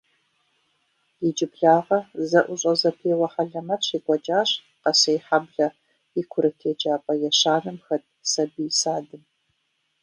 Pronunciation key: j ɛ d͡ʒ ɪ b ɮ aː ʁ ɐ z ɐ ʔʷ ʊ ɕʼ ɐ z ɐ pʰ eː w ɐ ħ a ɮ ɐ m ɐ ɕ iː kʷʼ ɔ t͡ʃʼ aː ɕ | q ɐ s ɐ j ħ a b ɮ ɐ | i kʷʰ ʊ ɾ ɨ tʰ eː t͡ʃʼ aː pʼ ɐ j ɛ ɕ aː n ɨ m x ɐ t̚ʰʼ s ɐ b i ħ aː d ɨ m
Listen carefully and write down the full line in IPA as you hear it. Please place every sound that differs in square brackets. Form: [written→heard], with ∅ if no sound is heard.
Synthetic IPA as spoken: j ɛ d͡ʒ ɪ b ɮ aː ʁ ɐ z ɐ ʔʷ ʊ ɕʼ ɐ z ɐ pʰ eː w ɐ ħ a ɮ ɐ m ɐ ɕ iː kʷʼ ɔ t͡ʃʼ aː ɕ | q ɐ s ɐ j ħ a b ɮ ɐ | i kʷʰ ʊ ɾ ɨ tʰ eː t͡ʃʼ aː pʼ ɐ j ɛ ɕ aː n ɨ m x ɐ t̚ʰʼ s ɐ b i [ħ→s] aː d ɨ m